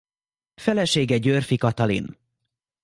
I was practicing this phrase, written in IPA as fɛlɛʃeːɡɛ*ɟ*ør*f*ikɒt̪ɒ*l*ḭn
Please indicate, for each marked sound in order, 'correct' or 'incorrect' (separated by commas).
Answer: correct, correct, correct